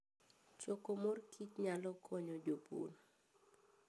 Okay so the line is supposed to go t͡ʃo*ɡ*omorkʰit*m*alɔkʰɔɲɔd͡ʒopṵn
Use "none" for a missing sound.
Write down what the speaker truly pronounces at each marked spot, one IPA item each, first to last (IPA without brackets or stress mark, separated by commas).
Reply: k, ɲ